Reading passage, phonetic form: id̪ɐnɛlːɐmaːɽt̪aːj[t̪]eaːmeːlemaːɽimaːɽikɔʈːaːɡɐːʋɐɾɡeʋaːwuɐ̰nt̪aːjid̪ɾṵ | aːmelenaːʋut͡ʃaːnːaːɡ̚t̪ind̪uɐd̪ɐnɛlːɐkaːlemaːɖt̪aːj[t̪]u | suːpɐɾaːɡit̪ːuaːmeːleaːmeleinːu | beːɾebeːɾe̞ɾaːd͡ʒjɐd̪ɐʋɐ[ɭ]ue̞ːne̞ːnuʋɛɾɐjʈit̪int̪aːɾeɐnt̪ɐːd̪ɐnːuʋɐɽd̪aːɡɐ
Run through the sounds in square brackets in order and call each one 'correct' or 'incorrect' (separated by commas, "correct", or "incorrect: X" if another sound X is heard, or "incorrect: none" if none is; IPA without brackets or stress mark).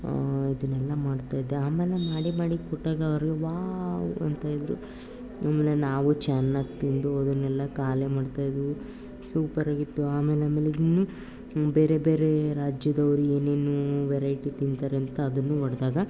incorrect: d̪, incorrect: d̪, incorrect: ɾ